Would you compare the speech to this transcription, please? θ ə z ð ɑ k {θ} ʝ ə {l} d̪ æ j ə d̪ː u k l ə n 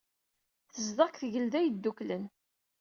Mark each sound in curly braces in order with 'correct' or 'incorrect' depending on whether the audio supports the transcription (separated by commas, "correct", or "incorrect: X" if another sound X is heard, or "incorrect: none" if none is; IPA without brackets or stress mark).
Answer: correct, correct